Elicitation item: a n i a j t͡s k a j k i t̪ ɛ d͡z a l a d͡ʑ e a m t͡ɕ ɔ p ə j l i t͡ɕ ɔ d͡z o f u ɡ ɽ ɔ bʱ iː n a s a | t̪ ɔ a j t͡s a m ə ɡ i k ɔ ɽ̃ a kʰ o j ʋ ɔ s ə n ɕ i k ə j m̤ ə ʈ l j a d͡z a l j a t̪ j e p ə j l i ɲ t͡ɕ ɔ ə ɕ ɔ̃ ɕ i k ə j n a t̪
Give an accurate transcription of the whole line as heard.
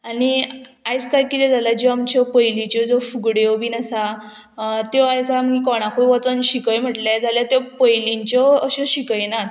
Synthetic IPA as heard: a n i a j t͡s k a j k i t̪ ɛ d͡z a l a d͡ʑ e a m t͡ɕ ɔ p ə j l i t͡ɕ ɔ d͡z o f u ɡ ɽ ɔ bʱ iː n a s a | t̪ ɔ a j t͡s a m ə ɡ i k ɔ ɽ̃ a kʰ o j ʋ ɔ t͡s ə n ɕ i k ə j m̤ ə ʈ l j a d͡z a l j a t̪ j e p ə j l i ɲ t͡ɕ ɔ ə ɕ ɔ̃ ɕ i k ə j n a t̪